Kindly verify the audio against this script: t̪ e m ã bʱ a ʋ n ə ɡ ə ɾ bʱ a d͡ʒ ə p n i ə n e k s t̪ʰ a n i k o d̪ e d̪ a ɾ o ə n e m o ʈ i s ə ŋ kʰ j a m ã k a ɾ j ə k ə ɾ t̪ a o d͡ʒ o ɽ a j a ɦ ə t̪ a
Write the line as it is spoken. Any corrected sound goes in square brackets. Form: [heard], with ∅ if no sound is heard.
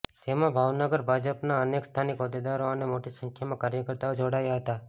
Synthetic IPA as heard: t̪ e m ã bʱ a ʋ n ə ɡ ə ɾ bʱ a d͡ʒ ə p n [a] ə n e k s t̪ʰ a n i k o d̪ e d̪ a ɾ o ə n e m o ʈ i s ə ŋ kʰ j a m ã k a ɾ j ə k ə ɾ t̪ a o d͡ʒ o ɽ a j a ɦ ə t̪ a